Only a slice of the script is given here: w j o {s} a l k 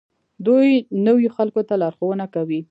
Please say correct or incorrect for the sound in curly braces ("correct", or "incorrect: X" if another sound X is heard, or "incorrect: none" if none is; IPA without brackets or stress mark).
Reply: incorrect: x